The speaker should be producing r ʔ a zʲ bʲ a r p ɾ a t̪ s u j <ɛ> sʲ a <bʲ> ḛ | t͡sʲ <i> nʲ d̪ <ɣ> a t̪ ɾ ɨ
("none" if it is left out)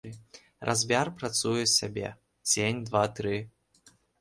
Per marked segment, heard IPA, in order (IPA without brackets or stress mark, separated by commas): ɛ, bʲ, e, v